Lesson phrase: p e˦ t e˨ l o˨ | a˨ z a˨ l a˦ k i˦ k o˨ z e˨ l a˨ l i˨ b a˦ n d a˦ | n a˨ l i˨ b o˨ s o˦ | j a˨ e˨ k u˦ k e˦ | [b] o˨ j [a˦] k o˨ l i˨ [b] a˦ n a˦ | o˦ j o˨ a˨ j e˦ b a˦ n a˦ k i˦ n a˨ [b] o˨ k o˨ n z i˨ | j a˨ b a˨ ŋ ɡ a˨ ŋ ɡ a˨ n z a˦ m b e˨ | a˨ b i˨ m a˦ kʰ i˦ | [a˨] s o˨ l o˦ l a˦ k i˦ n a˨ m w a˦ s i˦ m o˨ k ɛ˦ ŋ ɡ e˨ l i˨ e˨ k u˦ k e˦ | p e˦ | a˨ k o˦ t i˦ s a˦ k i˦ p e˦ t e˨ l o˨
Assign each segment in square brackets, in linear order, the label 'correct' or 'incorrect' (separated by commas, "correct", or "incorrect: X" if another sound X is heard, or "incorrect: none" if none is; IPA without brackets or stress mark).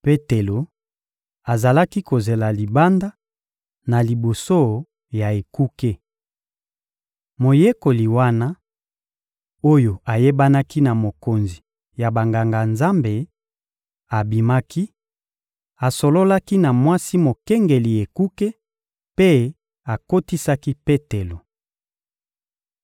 incorrect: m, incorrect: e˦, incorrect: w, incorrect: m, correct